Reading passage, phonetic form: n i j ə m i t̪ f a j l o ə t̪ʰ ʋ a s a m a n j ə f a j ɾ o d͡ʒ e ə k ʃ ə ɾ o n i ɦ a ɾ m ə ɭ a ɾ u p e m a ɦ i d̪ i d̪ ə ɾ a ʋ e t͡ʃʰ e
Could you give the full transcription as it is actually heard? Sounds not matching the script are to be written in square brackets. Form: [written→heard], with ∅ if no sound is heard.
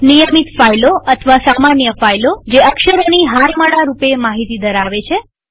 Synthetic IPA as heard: n i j ə m i t̪ f a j l o ə t̪ʰ ʋ a s a m a n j ə f a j [ɾ→l] o d͡ʒ e ə k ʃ ə ɾ o n i ɦ a ɾ m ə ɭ a ɾ u p e m a ɦ i [d̪→t̪] i d̪ ə ɾ a ʋ e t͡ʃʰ e